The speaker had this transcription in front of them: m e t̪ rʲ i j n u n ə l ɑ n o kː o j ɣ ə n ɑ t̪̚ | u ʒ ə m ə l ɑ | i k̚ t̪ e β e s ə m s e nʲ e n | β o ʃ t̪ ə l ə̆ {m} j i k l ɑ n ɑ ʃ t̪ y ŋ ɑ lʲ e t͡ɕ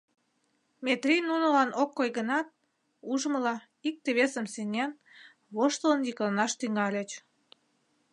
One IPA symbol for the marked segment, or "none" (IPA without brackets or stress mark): n